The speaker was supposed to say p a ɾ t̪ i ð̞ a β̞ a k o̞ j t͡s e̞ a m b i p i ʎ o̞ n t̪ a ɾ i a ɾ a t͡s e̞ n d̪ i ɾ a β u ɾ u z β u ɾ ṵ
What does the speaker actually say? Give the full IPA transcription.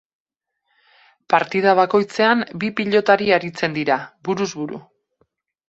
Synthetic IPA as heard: p a ɾ t̪ i ð̞ a β̞ a k o̞ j t͡s e̞ a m b i p i ʎ o̞ t̪ a ɾ i a ɾ i t͡s e̞ n d̪ i ɾ a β u ɾ u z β u ɾ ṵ